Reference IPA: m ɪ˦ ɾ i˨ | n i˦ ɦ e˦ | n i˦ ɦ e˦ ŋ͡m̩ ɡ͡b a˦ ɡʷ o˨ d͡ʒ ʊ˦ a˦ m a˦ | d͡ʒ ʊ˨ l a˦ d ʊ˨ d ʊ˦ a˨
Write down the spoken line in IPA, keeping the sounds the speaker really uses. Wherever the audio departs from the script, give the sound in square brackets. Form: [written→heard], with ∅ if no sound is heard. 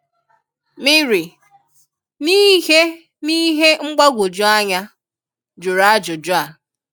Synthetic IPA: m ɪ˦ ɾ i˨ | n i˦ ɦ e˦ | n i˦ ɦ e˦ ŋ͡m̩ ɡ͡b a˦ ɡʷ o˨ d͡ʒ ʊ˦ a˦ [m→ɲ] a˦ | d͡ʒ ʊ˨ [l→ɾ] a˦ [d→d͡ʒ] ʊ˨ [d→d͡ʒ] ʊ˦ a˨